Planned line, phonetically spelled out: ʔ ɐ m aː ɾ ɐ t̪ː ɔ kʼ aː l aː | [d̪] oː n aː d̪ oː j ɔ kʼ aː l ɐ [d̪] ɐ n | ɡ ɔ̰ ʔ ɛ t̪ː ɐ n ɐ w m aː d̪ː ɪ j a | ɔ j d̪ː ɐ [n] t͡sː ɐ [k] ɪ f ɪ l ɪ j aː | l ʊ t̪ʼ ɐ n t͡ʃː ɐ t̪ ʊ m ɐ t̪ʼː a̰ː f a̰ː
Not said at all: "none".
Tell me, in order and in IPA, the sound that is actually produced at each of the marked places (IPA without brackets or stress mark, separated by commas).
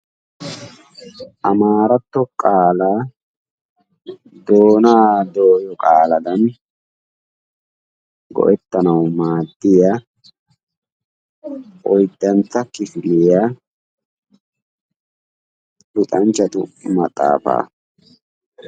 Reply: d̪, d̪, n, k